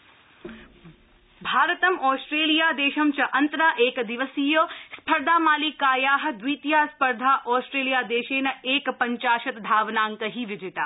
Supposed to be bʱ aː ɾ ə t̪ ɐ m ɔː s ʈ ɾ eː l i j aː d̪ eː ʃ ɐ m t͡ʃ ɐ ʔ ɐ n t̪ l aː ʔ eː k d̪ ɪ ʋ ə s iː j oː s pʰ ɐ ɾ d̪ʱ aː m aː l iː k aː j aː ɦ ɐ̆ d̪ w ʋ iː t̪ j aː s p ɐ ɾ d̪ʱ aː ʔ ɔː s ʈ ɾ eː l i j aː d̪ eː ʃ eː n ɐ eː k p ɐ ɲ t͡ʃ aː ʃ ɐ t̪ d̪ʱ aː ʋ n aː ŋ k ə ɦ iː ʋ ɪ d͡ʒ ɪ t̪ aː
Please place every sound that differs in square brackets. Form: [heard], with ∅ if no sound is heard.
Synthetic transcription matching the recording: bʱ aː ɾ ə t̪ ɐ m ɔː s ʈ ɾ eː l i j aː d̪ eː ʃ ɐ m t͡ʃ ɐ ʔ ɐ n t̪ [ɾ] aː ʔ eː k d̪ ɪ ʋ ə s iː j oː s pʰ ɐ ɾ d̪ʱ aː m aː l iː k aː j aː ɦ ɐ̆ d̪ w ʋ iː t̪ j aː s p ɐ ɾ d̪ʱ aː ʔ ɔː s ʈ ɾ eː l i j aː d̪ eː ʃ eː n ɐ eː k p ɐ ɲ t͡ʃ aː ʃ ɐ t̪ d̪ʱ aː ʋ n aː ŋ k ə ɦ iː ʋ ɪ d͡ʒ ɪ t̪ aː